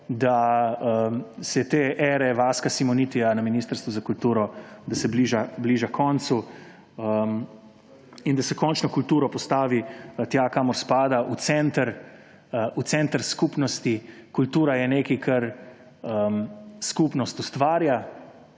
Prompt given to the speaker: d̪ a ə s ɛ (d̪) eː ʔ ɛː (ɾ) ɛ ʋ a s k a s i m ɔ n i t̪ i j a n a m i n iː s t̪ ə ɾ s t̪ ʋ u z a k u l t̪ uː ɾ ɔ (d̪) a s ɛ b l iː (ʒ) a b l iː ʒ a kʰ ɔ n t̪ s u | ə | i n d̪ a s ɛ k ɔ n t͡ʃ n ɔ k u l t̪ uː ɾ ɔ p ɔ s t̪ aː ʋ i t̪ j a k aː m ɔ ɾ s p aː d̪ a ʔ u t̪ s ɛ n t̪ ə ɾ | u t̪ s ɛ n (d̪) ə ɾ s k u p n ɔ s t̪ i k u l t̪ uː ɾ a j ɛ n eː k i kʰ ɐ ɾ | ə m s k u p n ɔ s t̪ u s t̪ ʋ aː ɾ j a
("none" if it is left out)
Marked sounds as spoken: t̪, ɾ, d̪, ʒ, t̪

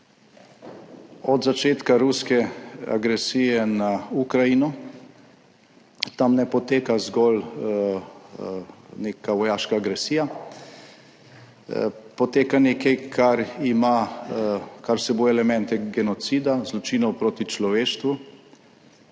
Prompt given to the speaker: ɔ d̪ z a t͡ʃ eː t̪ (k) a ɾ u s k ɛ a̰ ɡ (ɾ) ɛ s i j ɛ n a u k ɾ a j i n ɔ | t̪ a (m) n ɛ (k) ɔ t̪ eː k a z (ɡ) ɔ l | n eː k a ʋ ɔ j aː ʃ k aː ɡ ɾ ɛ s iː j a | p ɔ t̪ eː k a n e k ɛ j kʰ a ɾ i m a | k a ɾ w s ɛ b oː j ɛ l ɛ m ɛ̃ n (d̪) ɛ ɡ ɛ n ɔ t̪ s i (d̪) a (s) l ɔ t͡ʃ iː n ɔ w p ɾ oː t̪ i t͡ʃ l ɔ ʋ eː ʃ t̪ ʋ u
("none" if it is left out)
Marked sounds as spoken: k, ɾ, m, p, ɡ, t̪, d̪, z

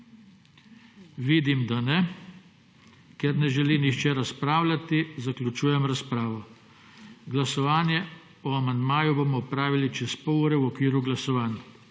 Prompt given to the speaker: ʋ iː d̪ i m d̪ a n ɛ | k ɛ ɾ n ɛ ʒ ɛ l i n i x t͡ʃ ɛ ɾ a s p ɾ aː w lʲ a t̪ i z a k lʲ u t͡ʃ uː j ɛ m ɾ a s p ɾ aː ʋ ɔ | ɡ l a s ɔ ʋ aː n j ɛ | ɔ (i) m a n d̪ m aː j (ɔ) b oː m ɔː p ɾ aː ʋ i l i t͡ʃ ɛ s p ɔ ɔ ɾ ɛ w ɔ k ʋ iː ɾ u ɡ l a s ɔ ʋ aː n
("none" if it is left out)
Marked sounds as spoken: a, u

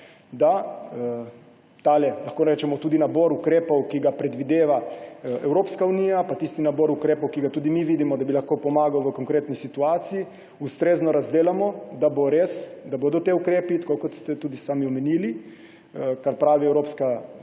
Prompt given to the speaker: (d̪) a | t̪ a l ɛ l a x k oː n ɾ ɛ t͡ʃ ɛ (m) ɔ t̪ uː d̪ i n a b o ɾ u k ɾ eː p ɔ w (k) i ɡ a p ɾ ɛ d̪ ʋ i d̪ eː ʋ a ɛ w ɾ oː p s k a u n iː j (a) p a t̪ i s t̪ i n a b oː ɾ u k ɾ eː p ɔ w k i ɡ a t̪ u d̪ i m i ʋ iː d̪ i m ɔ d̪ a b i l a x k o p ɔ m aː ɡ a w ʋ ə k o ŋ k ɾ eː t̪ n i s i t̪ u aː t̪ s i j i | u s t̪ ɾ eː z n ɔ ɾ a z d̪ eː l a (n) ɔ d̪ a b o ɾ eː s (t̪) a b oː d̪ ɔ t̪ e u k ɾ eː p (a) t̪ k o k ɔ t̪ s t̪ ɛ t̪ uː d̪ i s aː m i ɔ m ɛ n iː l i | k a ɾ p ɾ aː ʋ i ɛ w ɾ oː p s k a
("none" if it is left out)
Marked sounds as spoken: d̪, m, k, a, m, d̪, i

